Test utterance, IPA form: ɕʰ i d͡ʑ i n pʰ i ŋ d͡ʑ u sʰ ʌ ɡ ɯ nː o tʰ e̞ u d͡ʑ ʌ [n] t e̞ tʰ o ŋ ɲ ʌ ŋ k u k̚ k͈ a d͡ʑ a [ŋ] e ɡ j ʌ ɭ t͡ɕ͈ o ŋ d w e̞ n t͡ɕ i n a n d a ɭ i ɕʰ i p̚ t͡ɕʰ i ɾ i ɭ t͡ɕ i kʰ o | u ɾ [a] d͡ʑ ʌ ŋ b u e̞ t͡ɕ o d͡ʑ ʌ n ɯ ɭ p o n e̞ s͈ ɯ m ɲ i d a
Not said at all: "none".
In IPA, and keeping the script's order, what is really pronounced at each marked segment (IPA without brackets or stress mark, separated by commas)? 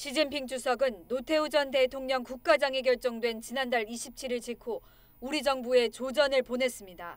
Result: n, ŋ, i